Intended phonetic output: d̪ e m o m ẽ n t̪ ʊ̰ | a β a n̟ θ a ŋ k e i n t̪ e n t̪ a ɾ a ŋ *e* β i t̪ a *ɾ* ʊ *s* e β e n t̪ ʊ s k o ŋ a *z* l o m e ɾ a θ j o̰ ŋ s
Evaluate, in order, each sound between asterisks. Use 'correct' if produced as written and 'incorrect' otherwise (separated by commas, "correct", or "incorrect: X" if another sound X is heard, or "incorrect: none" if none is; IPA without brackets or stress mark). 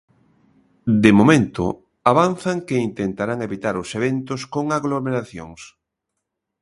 correct, correct, correct, incorrect: ɣ